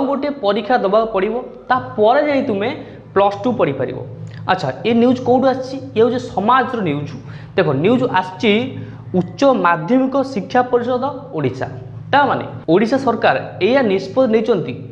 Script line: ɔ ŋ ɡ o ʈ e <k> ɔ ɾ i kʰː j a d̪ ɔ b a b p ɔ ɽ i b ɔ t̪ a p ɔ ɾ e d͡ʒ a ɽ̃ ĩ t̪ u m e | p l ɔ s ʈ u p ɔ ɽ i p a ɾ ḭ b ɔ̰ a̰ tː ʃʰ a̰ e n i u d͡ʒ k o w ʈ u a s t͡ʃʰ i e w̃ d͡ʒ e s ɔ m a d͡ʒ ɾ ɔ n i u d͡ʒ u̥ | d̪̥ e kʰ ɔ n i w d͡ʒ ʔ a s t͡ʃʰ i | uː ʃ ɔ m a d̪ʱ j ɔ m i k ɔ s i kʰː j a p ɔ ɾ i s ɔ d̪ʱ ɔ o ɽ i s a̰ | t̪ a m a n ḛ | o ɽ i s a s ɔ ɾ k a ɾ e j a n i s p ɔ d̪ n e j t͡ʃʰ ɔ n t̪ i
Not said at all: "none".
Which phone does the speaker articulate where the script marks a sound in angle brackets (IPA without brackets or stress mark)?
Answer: p